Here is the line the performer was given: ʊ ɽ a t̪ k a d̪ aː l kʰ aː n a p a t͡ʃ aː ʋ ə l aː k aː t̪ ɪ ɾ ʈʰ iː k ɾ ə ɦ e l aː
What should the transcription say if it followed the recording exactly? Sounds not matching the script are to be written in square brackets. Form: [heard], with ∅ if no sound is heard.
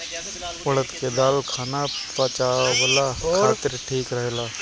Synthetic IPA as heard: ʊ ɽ [ə] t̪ k [e] d̪ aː l kʰ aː n a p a t͡ʃ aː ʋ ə l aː k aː t̪ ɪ ɾ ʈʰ iː k ɾ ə ɦ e l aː